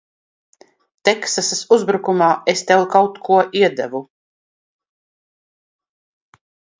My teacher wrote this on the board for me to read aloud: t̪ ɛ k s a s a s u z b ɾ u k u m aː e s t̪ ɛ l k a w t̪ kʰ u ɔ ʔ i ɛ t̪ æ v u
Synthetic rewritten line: t̪ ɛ k s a s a s u z b ɾ u k u m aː e s t̪ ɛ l k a w t̪ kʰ u ɔ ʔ i ɛ d̪ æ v u